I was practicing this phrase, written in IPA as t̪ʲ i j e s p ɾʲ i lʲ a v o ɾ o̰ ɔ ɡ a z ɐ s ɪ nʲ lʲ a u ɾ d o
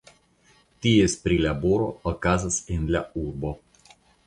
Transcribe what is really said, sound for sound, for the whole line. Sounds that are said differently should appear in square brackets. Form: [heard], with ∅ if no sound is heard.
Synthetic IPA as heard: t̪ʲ i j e s p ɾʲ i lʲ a [b] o ɾ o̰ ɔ [k] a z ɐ s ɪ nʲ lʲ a u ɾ [b] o